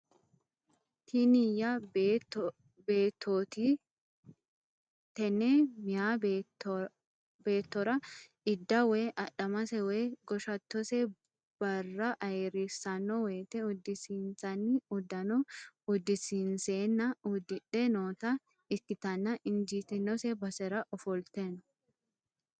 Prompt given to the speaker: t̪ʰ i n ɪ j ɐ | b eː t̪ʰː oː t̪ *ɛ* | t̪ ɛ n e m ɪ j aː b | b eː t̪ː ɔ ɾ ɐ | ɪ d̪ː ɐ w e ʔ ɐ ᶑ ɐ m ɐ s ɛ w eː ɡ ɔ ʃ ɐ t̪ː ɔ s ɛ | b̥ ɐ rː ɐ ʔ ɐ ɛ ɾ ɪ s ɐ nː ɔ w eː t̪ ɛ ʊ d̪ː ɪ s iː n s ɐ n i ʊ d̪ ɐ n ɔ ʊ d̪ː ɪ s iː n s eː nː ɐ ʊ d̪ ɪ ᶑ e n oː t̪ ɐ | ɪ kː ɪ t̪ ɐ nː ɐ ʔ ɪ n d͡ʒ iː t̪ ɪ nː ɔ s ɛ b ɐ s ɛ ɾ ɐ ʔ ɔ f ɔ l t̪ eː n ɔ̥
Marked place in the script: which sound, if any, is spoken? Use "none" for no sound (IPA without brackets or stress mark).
i